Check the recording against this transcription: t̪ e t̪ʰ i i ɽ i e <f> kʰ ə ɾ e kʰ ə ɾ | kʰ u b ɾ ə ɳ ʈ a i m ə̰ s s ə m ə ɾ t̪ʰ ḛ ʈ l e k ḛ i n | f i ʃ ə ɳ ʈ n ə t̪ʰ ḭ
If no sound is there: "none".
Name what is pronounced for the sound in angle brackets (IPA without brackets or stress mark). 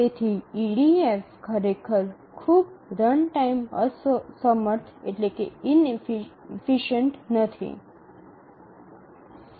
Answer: f